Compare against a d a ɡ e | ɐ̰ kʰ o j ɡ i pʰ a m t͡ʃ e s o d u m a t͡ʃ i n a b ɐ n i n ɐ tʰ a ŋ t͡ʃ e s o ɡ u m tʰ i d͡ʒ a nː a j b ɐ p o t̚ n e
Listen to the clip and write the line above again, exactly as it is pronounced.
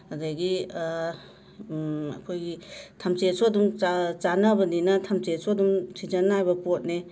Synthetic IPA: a d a ɡ i | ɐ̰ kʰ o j ɡ i tʰ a m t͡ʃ e s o d u m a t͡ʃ a n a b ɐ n i n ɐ tʰ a m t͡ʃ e s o d u m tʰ i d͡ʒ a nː a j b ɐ p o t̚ n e